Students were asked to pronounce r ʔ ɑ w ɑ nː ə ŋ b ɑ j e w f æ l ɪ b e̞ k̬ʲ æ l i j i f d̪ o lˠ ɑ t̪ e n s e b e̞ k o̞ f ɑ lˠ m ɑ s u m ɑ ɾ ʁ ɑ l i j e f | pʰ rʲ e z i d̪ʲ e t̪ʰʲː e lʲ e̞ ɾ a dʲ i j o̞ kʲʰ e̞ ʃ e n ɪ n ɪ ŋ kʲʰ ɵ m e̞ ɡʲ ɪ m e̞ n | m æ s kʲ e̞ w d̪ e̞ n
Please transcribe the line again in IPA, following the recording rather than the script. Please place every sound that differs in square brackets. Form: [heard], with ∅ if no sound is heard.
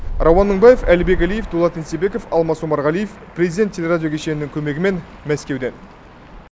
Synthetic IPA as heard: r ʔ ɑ w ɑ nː ə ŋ b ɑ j e [∅] f æ l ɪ b e̞ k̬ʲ æ l i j [e] f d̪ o lˠ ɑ t̪ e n s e b e̞ k o̞ f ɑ lˠ m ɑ s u m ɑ ɾ ʁ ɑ l i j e f | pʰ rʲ e z i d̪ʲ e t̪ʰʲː e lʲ e̞ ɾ a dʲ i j o̞ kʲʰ e̞ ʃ e n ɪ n ɪ ŋ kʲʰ ɵ m e̞ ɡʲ ɪ m e̞ n | m æ s kʲ e̞ w d̪ e̞ n